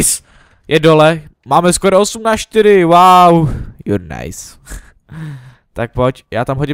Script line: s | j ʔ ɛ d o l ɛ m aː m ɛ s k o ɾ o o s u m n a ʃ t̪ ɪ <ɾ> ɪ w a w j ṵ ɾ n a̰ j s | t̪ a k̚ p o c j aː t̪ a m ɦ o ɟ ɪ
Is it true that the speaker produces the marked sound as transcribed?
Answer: yes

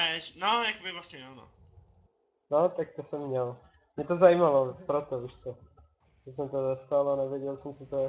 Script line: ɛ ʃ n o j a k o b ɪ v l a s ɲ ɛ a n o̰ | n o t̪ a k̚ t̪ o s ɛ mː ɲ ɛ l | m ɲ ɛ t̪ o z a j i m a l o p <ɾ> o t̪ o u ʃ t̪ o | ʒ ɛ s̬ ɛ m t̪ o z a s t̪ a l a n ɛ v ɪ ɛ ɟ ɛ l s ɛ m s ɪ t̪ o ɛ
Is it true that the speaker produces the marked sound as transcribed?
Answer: yes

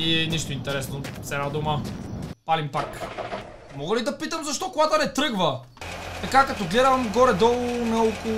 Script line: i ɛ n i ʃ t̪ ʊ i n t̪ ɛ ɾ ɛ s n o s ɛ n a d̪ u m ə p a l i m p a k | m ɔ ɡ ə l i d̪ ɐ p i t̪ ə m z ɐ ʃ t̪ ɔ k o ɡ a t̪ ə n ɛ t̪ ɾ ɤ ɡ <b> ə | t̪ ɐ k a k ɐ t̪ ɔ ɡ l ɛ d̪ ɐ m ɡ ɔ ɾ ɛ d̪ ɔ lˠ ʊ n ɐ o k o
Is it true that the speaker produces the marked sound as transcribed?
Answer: no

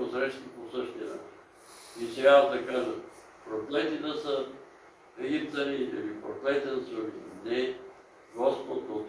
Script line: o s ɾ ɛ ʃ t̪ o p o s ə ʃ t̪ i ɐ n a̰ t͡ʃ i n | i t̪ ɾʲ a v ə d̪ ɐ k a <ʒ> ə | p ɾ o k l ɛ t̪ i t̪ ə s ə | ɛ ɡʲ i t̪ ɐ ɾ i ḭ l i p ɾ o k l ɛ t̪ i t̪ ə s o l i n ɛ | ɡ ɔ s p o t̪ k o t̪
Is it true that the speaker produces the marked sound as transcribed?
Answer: yes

